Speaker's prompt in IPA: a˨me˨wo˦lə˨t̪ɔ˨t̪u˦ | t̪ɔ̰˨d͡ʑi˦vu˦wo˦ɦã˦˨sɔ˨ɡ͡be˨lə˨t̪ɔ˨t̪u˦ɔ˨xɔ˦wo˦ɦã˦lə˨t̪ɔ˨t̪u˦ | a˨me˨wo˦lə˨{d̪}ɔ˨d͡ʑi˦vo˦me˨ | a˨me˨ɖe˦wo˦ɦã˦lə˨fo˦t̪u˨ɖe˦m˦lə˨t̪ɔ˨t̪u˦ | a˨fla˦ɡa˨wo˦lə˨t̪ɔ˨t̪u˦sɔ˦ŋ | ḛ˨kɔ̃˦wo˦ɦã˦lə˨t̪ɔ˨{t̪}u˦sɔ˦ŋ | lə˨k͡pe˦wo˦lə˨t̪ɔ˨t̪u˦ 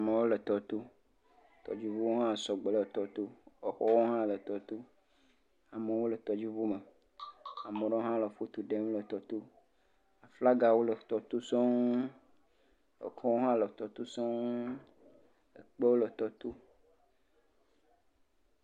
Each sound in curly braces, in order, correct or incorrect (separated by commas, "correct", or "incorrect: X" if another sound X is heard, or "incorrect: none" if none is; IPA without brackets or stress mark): incorrect: t̪, correct